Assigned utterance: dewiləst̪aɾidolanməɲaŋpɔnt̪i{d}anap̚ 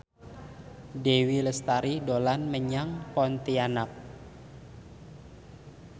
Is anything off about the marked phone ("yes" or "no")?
yes